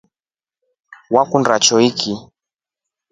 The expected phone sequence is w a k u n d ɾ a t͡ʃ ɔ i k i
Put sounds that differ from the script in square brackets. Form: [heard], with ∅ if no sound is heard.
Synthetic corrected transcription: w a k u n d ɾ a t͡ʃ ɔ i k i